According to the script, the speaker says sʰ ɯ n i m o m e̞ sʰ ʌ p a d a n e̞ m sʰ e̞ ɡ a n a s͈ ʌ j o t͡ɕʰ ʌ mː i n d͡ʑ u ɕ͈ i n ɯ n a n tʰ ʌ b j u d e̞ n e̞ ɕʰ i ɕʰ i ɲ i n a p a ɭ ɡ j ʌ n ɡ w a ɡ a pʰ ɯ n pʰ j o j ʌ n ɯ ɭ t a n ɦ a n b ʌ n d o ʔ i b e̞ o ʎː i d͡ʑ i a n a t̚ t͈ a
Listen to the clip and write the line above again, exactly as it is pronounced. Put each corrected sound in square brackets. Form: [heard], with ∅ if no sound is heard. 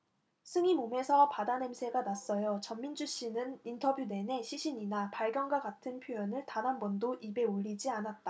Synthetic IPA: sʰ ɯ [ŋ] i m o m e̞ sʰ ʌ p a d a n e̞ m sʰ e̞ ɡ a n a s͈ ʌ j o [t͡ɕ] ʌ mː i n d͡ʑ u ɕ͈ i n ɯ n [i] n tʰ ʌ b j u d e̞ n e̞ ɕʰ i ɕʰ i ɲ i n a p a ɭ ɡ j ʌ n ɡ w a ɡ a [tʰ] ɯ n pʰ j o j ʌ n ɯ ɭ t a n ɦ a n b ʌ n d o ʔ i b e̞ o ʎː i d͡ʑ i a n a t̚ t͈ a